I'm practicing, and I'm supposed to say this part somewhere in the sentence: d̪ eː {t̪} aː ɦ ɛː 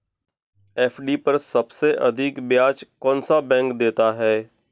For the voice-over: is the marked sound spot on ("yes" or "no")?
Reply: yes